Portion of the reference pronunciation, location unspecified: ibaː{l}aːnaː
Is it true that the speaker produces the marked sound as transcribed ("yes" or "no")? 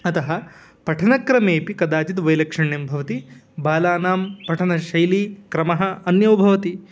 yes